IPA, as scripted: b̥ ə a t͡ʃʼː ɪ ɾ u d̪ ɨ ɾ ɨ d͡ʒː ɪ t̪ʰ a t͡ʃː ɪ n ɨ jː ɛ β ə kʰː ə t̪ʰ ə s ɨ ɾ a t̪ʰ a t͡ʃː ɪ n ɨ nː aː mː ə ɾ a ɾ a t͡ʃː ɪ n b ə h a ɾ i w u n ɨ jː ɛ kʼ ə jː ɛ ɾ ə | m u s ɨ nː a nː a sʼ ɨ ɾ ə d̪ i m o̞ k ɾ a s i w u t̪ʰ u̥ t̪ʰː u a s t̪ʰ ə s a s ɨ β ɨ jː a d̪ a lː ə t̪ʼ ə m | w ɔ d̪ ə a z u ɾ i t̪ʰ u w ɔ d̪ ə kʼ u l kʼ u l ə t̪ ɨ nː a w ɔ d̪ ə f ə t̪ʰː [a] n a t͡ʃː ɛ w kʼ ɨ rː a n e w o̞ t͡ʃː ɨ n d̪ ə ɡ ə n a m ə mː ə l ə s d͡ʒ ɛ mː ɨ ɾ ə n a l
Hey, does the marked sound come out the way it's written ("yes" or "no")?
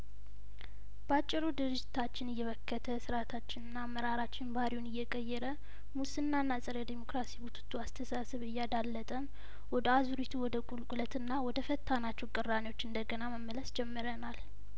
yes